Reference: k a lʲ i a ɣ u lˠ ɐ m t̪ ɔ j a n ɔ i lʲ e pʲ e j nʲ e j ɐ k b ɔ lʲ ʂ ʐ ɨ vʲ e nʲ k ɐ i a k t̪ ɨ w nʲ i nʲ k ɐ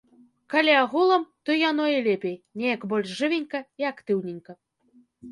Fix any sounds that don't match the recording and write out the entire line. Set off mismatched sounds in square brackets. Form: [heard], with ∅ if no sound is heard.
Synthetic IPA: k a lʲ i a ɣ u lˠ ɐ m t̪ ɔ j a n ɔ i lʲ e pʲ e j nʲ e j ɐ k b ɔ lʲ ʂ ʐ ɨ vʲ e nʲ k ɐ i a k t̪ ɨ w nʲ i nʲ k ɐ